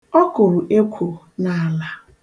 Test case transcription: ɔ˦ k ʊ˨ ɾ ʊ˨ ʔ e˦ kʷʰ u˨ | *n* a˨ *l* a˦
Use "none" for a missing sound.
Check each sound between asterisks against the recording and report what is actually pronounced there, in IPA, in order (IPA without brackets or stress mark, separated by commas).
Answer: n, l